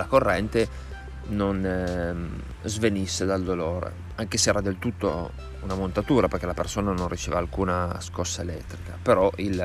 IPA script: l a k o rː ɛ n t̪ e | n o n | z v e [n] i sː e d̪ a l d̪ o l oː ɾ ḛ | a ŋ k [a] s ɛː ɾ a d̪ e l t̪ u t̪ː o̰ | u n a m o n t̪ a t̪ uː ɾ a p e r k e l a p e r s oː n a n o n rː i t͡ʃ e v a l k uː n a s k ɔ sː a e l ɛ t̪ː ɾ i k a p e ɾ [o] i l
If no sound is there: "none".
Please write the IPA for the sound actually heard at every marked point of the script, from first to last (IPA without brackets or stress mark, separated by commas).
n, e, ɔ